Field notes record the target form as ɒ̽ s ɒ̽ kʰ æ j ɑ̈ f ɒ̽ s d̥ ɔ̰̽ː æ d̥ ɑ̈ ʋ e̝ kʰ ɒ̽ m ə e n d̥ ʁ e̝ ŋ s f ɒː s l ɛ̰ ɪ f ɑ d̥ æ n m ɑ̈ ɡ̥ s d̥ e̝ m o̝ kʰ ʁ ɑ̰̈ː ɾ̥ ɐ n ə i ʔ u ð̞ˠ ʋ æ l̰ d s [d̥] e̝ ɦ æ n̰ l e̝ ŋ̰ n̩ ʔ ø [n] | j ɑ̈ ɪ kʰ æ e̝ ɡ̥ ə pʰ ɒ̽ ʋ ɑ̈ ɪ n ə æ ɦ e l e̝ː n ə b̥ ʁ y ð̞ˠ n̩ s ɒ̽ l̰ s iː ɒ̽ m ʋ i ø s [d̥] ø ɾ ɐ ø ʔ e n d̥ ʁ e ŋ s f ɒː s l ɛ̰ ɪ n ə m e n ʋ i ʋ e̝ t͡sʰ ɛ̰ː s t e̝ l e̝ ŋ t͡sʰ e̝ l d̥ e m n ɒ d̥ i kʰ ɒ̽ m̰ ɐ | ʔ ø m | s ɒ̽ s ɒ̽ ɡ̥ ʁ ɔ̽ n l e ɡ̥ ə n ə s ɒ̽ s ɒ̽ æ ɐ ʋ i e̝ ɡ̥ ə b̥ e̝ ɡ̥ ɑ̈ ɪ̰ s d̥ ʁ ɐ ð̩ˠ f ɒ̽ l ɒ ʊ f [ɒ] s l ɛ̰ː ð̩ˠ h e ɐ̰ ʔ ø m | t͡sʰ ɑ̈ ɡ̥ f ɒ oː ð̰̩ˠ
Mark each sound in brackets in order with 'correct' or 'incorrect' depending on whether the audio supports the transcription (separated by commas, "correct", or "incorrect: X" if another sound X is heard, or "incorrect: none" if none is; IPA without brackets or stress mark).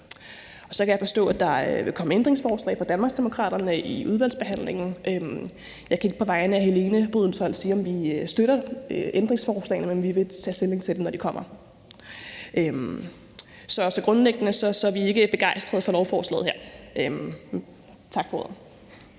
incorrect: b̥, incorrect: m, correct, incorrect: ɒː